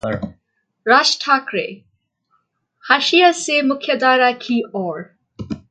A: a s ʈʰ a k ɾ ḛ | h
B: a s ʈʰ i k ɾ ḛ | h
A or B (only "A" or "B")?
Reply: A